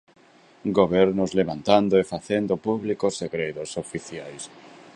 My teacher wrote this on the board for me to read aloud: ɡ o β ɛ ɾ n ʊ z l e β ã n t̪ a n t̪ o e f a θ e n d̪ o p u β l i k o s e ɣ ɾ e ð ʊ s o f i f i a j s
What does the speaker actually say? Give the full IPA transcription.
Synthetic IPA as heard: ɡ o β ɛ ɾ n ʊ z l e β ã n t̪ a n d̪ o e f a θ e n d̪ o p u β l i k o s e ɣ ɾ e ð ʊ s o f i θ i a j s